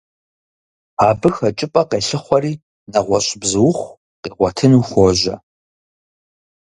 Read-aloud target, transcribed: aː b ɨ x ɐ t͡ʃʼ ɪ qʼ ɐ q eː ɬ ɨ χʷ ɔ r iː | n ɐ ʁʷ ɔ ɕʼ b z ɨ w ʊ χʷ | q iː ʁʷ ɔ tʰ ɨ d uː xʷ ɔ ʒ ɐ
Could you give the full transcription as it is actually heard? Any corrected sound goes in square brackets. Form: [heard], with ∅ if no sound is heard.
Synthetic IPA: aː b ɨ x ɐ t͡ʃʼ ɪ [pʼ] ɐ q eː ɬ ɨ χʷ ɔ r iː | n ɐ ʁʷ ɔ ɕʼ b z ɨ w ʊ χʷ | q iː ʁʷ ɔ tʰ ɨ [n] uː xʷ ɔ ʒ ɐ